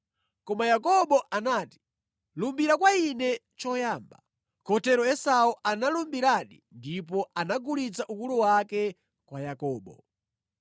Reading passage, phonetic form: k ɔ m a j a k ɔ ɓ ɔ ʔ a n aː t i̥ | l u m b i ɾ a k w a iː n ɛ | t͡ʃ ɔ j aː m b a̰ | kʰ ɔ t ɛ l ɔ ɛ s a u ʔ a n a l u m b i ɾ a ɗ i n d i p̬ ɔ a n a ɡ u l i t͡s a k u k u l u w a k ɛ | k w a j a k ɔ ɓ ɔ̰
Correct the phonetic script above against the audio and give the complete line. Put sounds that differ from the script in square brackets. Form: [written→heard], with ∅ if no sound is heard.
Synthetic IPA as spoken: k ɔ m a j a k ɔ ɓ ɔ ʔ a n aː t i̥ | l u m b i ɾ a k w a [iː→i] n ɛ | t͡ʃ ɔ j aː m b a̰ | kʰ ɔ t ɛ [l→ɾ] ɔ ɛ s a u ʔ a n a l u m b i ɾ a ɗ i n d i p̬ ɔ a n a ɡ u l i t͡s a [k→ʔ] u k u l u w a k ɛ | k w a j a k [ɔ→ɔː] ɓ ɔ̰